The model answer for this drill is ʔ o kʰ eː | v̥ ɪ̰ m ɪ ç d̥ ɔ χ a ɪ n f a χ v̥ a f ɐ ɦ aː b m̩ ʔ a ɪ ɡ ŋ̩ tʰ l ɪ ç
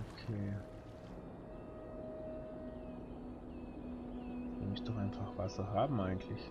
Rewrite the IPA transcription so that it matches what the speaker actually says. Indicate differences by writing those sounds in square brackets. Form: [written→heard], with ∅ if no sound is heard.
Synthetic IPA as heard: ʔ o kʰ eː | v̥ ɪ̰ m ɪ ç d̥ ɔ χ a ɪ n f a χ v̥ a [f→s] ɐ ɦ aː b m̩ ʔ a ɪ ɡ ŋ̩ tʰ l ɪ ç